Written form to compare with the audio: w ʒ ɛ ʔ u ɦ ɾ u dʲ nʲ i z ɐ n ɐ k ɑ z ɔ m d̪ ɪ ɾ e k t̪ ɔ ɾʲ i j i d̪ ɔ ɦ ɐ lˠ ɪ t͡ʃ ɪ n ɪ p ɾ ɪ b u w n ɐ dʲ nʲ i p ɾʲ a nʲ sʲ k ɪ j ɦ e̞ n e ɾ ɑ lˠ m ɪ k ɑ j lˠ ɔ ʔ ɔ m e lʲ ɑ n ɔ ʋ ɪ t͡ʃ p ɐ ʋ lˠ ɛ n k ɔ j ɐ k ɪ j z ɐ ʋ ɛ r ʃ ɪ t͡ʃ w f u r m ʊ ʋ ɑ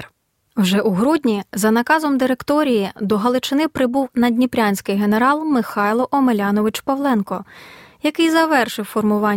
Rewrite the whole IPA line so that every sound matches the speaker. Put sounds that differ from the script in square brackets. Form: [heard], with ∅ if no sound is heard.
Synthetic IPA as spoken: w ʒ ɛ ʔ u ɦ ɾ u dʲ nʲ i z ɐ n ɐ k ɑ z ɔ m d̪ ɪ ɾ e k t̪ ɔ ɾʲ i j i d̪ ɔ ɦ ɐ lˠ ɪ t͡ʃ ɪ n ɪ p ɾ ɪ b u w n ɐ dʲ nʲ i p ɾʲ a nʲ sʲ k ɪ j ɦ e̞ n e ɾ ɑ lˠ m ɪ [x] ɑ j lˠ ɔ ʔ ɔ m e lʲ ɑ n ɔ ʋ ɪ t͡ʃ p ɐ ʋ lˠ ɛ n k ɔ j ɐ k ɪ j z ɐ ʋ ɛ r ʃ ɪ [∅] w f [ɔ] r m ʊ ʋ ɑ